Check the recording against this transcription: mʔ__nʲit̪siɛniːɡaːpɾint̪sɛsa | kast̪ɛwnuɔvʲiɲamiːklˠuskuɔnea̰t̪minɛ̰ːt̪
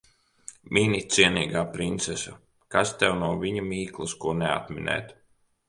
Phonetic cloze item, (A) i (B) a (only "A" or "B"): A